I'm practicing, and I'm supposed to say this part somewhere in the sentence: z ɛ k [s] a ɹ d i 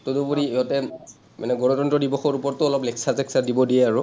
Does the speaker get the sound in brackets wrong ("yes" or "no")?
no